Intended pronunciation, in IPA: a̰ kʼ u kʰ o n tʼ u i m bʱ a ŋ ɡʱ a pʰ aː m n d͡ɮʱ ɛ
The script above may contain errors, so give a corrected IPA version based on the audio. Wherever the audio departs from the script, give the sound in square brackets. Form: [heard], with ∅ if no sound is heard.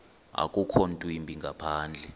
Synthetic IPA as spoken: a̰ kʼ u kʰ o n tʼ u i m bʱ [i] ŋ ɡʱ a pʰ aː [∅] n d͡ɮʱ ɛ